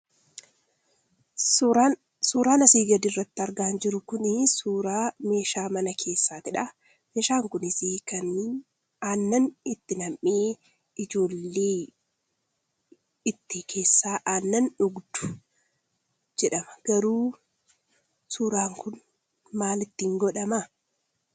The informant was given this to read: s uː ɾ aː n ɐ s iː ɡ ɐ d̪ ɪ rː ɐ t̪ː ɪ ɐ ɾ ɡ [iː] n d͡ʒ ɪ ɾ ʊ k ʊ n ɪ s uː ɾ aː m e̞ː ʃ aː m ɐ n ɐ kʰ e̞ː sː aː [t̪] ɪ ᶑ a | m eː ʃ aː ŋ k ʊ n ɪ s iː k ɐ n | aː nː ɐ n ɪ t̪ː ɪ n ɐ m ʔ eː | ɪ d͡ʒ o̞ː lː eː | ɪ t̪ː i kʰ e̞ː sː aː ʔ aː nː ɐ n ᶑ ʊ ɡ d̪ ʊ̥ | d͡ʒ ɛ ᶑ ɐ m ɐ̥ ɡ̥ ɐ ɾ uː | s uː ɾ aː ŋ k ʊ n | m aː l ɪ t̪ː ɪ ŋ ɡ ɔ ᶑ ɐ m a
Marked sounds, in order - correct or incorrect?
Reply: incorrect: aː, correct

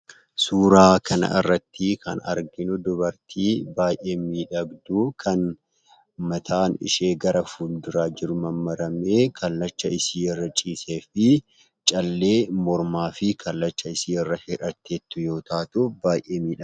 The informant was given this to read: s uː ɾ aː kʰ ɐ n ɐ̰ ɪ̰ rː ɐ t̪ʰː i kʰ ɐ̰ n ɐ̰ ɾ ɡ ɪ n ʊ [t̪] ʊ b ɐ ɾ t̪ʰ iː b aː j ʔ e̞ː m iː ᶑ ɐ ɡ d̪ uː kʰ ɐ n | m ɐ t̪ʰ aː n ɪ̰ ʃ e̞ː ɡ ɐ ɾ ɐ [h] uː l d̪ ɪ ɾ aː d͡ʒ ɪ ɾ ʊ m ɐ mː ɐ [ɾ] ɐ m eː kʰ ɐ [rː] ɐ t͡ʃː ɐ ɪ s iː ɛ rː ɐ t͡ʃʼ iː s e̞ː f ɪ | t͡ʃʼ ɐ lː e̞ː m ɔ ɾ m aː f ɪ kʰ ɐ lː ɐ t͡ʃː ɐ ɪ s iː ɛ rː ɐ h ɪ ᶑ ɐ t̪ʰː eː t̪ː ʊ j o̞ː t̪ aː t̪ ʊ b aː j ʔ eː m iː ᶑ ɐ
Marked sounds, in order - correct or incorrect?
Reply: incorrect: d̪, incorrect: f, correct, incorrect: lː

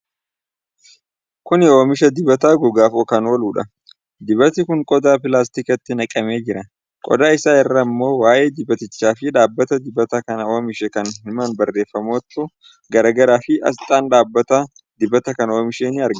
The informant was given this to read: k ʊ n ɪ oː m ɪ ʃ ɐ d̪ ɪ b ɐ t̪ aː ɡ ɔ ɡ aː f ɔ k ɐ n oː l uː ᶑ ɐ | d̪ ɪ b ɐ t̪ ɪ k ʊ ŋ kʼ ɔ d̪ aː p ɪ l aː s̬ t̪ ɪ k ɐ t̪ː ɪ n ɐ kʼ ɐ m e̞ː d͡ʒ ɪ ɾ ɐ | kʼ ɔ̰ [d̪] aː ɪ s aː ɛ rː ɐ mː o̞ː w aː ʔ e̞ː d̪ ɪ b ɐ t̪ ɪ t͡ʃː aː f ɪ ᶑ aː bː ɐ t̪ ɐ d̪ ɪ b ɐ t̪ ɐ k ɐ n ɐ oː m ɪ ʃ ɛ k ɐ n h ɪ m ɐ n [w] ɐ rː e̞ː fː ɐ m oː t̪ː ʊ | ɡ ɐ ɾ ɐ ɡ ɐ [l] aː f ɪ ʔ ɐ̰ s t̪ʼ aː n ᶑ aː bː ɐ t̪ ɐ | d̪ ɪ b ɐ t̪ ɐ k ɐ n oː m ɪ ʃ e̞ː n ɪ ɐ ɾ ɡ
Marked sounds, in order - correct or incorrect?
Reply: correct, incorrect: b, incorrect: ɾ

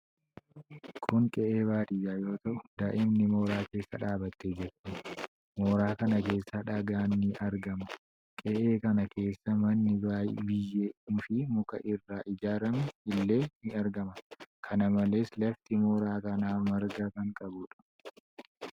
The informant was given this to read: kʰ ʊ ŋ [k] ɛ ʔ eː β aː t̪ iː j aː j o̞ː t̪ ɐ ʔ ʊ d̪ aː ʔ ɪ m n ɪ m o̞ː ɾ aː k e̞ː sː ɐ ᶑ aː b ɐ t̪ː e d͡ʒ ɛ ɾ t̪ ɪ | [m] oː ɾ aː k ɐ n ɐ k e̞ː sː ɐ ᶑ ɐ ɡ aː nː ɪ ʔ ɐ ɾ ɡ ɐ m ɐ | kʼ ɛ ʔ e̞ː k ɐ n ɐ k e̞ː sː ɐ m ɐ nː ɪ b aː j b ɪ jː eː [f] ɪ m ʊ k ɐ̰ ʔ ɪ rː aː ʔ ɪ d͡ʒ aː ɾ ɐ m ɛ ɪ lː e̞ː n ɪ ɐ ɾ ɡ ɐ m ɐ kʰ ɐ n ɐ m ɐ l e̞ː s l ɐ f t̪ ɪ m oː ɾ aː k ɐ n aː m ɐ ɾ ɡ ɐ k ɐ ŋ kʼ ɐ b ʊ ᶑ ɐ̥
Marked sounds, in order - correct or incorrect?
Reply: incorrect: kʼ, correct, correct

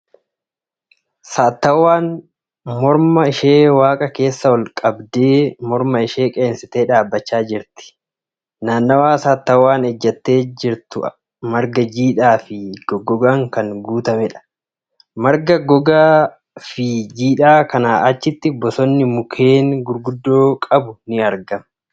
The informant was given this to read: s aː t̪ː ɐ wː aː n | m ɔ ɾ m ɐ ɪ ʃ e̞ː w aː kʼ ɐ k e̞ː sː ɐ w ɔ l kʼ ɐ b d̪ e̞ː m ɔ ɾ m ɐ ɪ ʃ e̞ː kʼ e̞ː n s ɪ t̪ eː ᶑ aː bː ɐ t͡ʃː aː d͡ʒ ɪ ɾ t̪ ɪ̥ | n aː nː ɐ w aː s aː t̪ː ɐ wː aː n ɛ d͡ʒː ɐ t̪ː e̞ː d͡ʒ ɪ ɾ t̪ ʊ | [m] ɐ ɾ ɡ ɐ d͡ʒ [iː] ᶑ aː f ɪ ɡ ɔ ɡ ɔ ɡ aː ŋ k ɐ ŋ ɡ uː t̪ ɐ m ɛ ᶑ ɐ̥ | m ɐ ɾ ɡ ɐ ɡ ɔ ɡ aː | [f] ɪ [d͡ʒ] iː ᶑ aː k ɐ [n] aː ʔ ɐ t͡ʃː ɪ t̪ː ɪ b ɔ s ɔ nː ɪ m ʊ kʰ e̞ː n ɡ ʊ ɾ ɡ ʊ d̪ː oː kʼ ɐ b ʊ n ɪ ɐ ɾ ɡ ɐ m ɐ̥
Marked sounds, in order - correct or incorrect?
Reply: correct, correct, correct, correct, correct

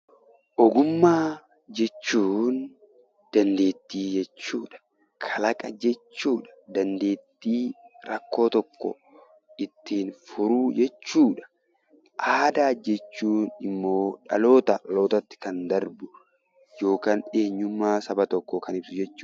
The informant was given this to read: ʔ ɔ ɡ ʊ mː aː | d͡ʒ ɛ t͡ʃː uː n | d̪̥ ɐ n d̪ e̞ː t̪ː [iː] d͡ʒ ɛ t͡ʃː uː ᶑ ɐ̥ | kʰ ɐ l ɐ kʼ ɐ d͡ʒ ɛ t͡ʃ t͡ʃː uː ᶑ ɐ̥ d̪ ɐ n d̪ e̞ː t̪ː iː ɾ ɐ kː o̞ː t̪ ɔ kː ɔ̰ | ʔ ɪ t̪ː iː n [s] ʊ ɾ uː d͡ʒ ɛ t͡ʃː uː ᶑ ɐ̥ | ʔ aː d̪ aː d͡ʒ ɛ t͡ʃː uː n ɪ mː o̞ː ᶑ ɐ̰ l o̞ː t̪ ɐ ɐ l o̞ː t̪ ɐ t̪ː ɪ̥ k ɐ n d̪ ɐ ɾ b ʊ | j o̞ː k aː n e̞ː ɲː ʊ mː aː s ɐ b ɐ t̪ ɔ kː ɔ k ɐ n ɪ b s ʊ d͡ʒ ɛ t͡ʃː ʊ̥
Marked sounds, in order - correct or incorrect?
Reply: correct, incorrect: f

